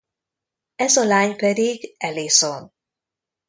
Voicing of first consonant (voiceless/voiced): voiced